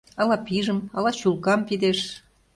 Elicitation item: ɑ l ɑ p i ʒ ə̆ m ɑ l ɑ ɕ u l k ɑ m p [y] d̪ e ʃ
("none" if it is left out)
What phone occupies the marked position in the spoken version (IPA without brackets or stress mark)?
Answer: i